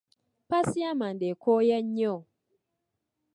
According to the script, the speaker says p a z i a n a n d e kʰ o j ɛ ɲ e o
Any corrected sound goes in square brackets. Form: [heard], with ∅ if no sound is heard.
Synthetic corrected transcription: p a [s] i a [m] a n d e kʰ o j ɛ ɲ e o